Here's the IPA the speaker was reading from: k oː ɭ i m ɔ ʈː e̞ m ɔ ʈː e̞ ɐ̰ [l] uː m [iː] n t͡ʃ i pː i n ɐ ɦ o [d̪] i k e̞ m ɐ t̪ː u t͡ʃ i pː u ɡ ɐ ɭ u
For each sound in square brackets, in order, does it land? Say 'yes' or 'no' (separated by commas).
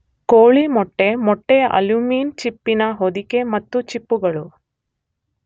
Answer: yes, yes, yes